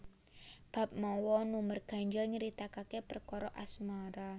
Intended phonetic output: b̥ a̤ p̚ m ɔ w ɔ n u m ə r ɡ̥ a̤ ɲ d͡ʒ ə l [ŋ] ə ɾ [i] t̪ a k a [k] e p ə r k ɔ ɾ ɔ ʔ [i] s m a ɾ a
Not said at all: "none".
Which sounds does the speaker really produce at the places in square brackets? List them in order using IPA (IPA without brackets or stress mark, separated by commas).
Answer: ɲ, i, k, a